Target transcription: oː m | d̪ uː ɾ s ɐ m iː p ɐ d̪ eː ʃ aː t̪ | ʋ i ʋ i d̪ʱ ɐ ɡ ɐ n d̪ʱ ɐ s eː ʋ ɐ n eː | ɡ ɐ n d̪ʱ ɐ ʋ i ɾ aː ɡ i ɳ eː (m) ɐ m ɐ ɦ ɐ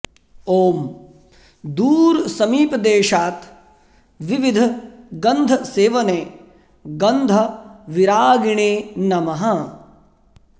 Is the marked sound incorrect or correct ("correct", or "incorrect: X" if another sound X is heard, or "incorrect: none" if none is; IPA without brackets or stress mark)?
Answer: incorrect: n